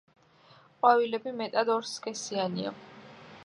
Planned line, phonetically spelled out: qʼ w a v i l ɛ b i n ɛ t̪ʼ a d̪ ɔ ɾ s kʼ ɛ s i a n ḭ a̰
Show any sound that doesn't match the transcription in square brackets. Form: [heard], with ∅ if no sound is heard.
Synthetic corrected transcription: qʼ w a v i l ɛ b i [m] ɛ t̪ʼ a d̪ ɔ ɾ s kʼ ɛ s i a n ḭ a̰

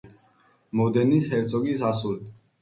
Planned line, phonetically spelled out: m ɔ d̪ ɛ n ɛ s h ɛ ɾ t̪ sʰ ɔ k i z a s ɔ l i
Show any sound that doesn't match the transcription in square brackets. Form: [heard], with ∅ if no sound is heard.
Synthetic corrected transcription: m ɔ d̪ ɛ n [i] s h ɛ ɾ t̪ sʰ ɔ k i [s] a s [u] l i

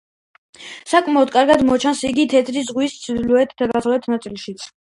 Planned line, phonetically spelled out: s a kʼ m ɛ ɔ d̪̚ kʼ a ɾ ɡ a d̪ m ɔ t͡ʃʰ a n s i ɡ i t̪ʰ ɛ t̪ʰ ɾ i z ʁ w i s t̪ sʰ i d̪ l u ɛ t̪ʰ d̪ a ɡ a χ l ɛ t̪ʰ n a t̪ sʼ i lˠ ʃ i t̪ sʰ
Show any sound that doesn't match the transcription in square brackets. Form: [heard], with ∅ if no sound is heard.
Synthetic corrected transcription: s a kʼ m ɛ ɔ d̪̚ kʼ a ɾ ɡ a d̪ m ɔ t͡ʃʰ a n s i ɡ i t̪ʰ ɛ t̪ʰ ɾ i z ʁ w i s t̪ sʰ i d̪ l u ɛ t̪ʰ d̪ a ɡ a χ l ɛ t̪ʰ n a t̪ sʼ i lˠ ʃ i t̪ sʰ

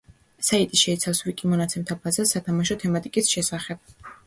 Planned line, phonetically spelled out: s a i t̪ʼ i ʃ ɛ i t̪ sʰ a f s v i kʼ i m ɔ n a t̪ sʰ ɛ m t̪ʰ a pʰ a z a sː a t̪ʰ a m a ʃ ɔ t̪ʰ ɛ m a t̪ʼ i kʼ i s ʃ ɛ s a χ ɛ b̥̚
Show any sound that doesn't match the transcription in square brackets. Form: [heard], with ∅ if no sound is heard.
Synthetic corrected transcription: s a i t̪ʼ i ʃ ɛ i t̪ sʰ a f s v i kʼ i m ɔ n a t̪ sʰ ɛ m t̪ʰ a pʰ a z a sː a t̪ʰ a m a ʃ ɔ t̪ʰ ɛ m a t̪ʼ i kʼ i s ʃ ɛ s a χ ɛ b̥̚

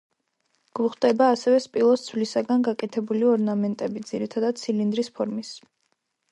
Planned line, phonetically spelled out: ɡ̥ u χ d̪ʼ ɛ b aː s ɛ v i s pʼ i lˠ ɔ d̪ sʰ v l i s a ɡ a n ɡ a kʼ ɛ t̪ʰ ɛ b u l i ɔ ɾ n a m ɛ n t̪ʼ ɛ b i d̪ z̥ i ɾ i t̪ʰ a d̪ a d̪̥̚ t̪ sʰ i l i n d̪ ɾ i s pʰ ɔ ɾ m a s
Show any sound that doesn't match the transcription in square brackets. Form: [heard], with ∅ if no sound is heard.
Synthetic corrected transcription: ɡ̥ u χ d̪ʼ ɛ b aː s ɛ v [ɛ] s pʼ i lˠ ɔ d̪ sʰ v l i s a ɡ a n ɡ a kʼ ɛ t̪ʰ ɛ b u l i ɔ ɾ n a m ɛ n t̪ʼ ɛ b i d̪ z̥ i ɾ i t̪ʰ a d̪ a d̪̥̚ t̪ sʰ i l i n d̪ ɾ i s pʰ ɔ ɾ m [i] s

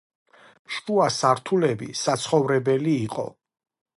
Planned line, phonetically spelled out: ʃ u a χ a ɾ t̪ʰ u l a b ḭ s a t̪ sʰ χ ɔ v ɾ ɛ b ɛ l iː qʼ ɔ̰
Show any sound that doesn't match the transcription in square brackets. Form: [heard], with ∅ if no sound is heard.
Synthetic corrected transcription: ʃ u a [s] a ɾ t̪ʰ u l [ɛ] b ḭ s a t̪ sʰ χ ɔ v ɾ ɛ b ɛ l iː qʼ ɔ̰

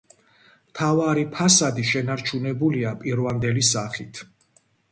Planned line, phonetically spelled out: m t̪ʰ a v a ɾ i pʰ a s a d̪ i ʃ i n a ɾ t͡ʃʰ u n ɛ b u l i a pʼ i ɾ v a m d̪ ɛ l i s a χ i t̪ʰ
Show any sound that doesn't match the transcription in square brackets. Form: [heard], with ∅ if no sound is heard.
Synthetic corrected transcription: m t̪ʰ a v a ɾ i pʰ a s a d̪ i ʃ [ɛ] n a ɾ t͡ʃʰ u n ɛ b u l i a pʼ i ɾ v a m d̪ ɛ l i s a χ i t̪ʰ

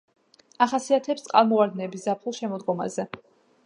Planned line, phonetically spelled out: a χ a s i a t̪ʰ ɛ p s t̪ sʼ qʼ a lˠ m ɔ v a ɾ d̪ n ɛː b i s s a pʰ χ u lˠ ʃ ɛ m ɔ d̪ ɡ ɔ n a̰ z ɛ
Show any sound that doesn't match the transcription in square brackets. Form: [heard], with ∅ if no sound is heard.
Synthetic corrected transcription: a χ a s i a t̪ʰ ɛ p s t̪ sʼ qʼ a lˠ m ɔ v a ɾ d̪ n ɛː b i s [z] a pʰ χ u lˠ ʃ ɛ m ɔ d̪ ɡ ɔ [m] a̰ z ɛ

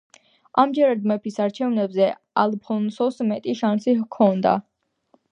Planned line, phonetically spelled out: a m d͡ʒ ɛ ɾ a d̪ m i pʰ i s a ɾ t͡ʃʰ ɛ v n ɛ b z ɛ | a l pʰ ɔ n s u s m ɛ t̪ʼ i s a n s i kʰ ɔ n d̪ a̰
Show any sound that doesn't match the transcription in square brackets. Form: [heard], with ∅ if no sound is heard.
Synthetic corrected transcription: a m d͡ʒ ɛ ɾ a d̪ m [ɛ] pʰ i s a ɾ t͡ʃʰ ɛ v n ɛ b z ɛ | a l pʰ ɔ n s [ɔ] s m ɛ t̪ʼ i [ʃ] a n s i kʰ ɔ n d̪ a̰

